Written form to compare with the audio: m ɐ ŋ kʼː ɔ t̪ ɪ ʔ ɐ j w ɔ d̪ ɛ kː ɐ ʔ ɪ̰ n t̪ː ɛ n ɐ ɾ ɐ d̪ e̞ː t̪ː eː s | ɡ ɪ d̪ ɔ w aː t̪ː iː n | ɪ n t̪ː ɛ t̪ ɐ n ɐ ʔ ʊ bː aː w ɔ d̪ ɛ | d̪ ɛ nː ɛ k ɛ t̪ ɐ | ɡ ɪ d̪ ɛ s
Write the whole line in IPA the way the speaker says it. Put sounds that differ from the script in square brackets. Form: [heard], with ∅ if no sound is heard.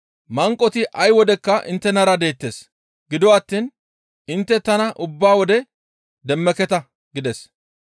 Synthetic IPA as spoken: m ɐ ŋ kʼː ɔ t̪ ɪ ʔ ɐ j w ɔ d̪ ɛ kː ɐ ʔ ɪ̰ n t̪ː ɛ n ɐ ɾ ɐ d̪ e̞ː t̪ː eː s | ɡ ɪ d̪ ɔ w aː t̪ː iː n | ɪ n t̪ː ɛ t̪ ɐ n ɐ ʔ ʊ bː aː w ɔ d̪ ɛ | d̪ ɛ [mː] ɛ k ɛ t̪ ɐ | ɡ ɪ d̪ ɛ s